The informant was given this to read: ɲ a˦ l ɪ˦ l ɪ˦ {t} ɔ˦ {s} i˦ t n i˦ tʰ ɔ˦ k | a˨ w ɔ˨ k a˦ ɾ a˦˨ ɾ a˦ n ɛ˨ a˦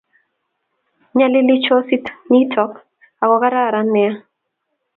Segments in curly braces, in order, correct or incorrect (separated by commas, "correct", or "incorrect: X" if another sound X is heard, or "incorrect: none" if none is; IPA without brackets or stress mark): incorrect: t͡ʃ, correct